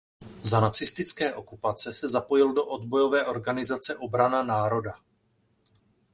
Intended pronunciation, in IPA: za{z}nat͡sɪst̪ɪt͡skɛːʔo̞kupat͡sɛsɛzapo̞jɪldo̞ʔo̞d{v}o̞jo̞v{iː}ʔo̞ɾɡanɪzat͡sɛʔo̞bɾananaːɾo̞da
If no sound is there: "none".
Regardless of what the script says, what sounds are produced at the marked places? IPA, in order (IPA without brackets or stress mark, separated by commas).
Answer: none, b, ɛː